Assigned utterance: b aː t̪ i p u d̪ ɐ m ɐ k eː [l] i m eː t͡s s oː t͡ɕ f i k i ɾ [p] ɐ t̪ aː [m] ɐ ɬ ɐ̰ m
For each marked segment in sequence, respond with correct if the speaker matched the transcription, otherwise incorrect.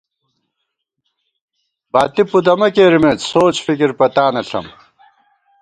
incorrect: ɾ, correct, incorrect: n

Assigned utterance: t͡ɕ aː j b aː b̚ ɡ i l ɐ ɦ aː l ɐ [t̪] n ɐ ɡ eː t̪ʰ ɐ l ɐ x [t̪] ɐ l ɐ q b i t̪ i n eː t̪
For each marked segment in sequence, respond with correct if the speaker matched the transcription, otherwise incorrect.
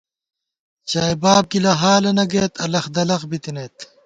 incorrect: none, incorrect: d̪

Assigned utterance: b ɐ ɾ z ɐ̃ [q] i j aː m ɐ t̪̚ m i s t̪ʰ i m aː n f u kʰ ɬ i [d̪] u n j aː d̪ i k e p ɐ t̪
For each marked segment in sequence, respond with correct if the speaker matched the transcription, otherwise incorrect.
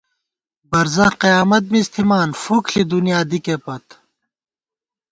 correct, correct

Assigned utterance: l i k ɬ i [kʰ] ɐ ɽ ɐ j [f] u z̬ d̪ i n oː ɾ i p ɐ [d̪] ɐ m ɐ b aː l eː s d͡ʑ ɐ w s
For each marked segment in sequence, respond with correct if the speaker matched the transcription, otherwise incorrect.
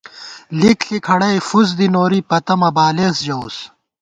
correct, correct, incorrect: t̪

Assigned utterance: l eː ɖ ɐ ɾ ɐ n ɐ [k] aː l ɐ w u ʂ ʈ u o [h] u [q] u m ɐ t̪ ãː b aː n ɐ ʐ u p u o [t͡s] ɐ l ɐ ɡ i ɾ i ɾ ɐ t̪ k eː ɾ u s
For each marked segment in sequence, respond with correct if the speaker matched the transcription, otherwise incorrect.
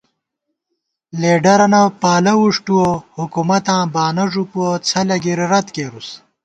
incorrect: p, correct, incorrect: k, incorrect: t͡sʰ

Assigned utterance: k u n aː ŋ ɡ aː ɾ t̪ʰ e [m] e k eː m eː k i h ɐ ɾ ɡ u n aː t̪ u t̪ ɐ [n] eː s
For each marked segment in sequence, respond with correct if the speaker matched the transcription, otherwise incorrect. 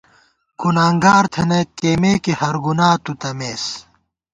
incorrect: n, incorrect: m

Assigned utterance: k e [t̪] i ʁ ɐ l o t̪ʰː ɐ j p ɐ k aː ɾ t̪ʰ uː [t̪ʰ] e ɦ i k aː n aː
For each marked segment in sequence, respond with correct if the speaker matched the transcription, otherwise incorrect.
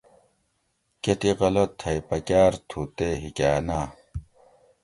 correct, incorrect: t̪

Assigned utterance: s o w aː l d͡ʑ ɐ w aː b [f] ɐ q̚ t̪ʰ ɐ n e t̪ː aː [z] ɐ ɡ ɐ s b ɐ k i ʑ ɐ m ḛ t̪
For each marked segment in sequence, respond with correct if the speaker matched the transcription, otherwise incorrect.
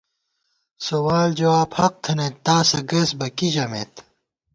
incorrect: h, incorrect: s

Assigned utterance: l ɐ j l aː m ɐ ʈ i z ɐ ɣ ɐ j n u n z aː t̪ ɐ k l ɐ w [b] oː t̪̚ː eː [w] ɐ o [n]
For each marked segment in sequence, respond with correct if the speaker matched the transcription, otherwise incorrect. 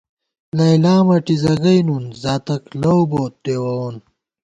correct, correct, correct

